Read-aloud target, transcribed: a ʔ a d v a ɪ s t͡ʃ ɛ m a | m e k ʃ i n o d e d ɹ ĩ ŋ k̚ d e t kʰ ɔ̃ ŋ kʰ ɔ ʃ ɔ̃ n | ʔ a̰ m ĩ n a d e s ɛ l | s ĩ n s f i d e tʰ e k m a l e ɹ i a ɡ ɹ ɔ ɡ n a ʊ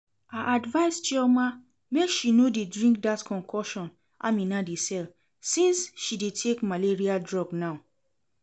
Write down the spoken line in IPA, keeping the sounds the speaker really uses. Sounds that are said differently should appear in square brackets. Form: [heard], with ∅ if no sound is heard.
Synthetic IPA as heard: a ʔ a d v a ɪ s t͡ʃ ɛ m a | m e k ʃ i n o d e d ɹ ĩ ŋ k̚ d [a] t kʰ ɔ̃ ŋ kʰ ɔ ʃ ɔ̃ n | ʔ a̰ m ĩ n a d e s ɛ l | s ĩ n s [ʃ] i d e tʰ e k m a l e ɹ i a [d] ɹ ɔ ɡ n a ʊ